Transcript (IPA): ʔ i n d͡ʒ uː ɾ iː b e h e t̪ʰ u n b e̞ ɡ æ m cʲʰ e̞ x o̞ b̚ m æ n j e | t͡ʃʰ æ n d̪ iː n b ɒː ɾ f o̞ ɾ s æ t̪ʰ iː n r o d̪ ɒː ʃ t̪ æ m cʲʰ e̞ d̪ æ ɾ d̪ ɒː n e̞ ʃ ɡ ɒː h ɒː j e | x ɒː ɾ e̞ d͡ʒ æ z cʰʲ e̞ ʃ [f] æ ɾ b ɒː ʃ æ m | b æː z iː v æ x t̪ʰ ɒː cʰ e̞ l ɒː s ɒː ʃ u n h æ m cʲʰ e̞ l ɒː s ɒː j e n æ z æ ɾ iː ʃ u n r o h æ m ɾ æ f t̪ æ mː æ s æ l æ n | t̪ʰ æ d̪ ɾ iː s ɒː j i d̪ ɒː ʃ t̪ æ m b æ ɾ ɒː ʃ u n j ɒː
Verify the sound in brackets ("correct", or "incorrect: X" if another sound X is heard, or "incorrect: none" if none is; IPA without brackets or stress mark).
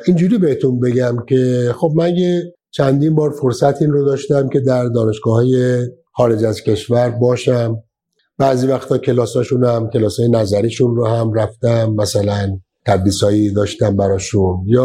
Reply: incorrect: v